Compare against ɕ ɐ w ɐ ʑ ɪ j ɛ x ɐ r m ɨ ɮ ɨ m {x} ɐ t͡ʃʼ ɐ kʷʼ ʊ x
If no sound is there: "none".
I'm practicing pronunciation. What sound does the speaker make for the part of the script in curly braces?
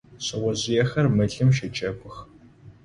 ʃ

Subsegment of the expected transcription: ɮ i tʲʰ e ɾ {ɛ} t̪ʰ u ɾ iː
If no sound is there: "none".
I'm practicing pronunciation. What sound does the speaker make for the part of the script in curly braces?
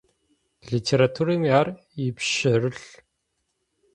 a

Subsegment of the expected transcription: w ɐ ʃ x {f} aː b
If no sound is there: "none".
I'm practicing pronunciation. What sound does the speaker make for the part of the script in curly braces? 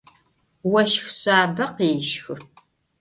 ɕ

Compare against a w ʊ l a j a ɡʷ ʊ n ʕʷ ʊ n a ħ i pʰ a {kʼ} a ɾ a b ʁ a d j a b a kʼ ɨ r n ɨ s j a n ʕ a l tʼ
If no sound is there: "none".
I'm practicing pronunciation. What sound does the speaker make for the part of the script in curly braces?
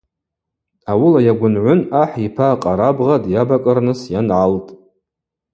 qʼ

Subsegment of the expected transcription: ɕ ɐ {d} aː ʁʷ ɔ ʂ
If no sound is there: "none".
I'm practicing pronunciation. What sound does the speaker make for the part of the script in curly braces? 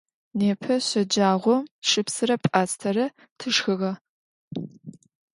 d͡ʒ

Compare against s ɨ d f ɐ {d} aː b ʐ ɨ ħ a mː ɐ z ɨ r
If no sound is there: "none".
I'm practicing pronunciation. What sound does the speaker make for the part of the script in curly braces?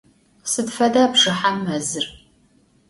d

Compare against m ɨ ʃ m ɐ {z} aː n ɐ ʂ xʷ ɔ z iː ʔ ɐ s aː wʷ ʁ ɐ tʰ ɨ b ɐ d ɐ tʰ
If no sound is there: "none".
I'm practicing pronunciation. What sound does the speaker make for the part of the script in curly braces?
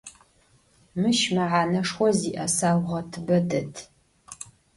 ʕ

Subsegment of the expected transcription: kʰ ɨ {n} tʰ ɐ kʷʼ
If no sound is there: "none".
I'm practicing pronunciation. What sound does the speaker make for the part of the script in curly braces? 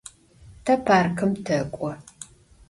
m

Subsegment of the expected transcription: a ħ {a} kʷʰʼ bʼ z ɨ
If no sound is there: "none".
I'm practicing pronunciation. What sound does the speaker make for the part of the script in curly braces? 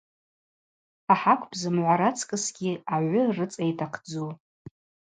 a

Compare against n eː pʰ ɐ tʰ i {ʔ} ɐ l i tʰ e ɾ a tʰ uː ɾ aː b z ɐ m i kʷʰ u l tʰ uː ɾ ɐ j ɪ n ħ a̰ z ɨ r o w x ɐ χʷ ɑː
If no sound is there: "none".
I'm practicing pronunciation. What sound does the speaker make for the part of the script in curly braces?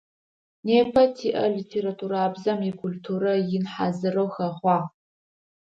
ʔ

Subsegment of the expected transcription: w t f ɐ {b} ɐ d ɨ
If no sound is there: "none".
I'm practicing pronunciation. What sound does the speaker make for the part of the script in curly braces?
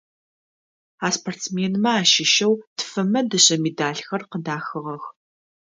m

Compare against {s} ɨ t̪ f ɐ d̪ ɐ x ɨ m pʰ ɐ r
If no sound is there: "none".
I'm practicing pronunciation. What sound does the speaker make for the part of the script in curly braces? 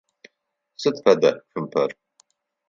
s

